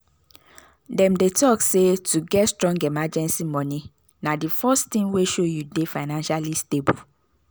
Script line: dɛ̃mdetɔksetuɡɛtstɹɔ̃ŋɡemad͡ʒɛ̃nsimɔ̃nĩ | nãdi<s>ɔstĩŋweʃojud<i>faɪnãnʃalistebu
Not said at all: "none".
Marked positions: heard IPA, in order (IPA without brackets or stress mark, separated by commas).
f, e